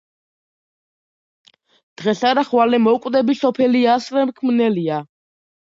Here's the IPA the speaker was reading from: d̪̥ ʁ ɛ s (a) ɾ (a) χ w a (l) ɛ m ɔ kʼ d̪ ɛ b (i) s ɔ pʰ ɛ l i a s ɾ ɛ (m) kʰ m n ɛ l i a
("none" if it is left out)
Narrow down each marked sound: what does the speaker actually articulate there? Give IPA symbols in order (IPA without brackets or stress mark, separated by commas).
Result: a, a, l, i, m